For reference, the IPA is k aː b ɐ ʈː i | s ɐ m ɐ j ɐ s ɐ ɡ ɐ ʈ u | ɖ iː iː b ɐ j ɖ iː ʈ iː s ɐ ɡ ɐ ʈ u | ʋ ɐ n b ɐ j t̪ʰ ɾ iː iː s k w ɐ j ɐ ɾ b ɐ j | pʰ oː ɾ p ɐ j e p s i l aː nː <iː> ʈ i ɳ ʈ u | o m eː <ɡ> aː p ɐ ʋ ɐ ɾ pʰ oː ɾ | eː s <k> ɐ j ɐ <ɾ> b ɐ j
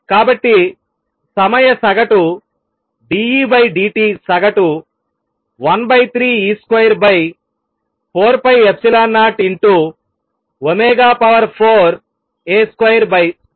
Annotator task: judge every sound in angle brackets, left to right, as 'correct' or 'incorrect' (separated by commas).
incorrect, correct, correct, correct